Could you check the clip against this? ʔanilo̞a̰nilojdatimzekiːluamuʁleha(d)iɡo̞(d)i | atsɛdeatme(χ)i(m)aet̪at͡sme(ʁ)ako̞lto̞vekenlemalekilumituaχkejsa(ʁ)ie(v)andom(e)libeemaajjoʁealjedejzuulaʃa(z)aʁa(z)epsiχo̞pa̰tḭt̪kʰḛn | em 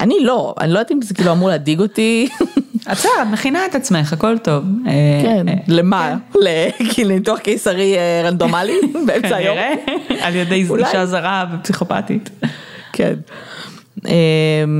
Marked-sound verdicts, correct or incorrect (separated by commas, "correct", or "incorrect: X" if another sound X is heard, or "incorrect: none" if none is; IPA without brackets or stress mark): correct, incorrect: t, correct, incorrect: n, incorrect: χ, correct, incorrect: ʁ, incorrect: a, correct, incorrect: v